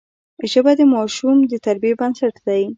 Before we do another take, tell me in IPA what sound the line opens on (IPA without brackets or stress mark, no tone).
ʒ